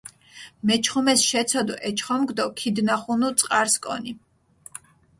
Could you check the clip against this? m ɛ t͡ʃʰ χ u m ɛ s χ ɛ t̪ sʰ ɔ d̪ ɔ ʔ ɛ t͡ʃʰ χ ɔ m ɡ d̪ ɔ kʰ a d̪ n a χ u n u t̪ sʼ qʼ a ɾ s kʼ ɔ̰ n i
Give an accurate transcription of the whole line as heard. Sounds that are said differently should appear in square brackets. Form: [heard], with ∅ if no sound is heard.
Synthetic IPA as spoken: m ɛ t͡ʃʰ χ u m ɛ s [ʃ] ɛ t̪ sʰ ɔ d̪ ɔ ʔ ɛ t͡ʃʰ χ ɔ m ɡ d̪ ɔ kʰ [i] d̪ n a χ u n u t̪ sʼ qʼ a ɾ s kʼ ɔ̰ n i